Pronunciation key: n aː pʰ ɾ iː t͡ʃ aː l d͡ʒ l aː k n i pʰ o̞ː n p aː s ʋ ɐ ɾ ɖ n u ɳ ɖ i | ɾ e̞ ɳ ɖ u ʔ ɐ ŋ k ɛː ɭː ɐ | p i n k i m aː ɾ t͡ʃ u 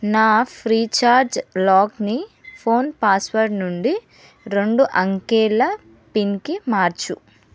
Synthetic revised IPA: n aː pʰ ɾ iː t͡ʃ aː ɾ d͡ʒ l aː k n i pʰ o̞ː n p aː s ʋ ɐ ɾ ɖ n u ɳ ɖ i | ɾ e̞ ɳ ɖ u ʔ ɐ ŋ k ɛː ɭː ɐ | p i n k i m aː ɾ t͡ʃ u